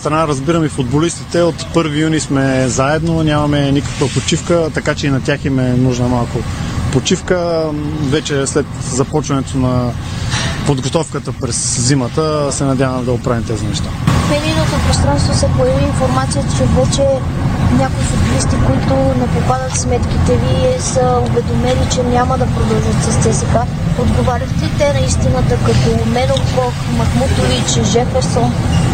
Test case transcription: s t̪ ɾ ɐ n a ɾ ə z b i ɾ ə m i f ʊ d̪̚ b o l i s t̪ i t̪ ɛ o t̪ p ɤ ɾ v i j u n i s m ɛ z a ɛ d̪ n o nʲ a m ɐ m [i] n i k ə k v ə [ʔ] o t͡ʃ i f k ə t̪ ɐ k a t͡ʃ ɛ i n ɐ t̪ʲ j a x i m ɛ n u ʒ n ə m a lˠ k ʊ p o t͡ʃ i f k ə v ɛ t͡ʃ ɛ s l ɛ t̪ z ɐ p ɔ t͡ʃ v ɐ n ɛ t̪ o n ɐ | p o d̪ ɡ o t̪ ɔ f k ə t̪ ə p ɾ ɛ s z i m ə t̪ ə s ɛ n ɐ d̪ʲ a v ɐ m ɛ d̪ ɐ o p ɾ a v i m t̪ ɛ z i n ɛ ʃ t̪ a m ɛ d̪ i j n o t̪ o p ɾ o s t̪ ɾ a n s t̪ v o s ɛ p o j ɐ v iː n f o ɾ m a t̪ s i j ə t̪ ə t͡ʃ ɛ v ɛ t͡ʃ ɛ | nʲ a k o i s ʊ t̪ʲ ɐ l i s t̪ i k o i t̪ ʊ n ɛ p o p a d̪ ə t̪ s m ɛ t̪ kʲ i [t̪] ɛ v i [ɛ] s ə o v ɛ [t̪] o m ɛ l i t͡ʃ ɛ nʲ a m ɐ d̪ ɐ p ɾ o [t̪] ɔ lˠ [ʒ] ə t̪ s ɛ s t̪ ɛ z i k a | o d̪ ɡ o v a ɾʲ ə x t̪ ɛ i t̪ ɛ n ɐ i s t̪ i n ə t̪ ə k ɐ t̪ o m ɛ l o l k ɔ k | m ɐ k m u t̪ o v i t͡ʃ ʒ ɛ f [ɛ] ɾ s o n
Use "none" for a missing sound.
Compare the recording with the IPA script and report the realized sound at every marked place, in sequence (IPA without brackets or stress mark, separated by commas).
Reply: ɛ, p, t̪, ɛ, d̪, d̪, ʒ, ɛ